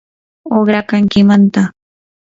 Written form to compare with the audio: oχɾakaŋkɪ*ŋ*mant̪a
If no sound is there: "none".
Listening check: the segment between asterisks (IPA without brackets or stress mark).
none